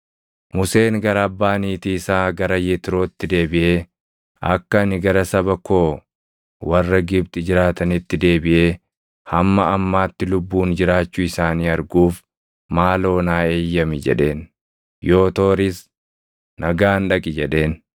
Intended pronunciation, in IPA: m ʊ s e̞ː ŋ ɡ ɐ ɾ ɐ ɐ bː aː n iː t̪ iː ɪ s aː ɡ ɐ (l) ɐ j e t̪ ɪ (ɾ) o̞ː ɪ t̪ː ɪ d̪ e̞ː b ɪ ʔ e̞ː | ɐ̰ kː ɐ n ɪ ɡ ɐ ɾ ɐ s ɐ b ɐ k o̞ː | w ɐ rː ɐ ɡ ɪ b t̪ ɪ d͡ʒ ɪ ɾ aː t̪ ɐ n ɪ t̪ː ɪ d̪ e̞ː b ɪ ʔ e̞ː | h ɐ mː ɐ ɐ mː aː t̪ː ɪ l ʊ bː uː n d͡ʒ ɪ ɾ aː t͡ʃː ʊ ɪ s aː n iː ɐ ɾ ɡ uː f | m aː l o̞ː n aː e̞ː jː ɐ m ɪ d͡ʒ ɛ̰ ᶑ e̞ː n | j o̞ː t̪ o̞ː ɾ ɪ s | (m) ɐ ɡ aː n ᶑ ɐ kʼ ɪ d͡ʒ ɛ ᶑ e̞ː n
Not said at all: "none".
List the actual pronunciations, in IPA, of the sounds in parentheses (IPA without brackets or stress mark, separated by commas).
ɾ, ɾ, n